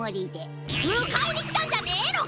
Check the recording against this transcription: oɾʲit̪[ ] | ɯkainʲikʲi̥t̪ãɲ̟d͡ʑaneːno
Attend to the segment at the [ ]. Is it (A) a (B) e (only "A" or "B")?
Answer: B